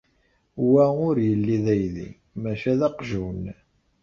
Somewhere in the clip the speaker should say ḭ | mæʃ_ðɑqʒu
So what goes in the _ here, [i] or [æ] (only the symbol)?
æ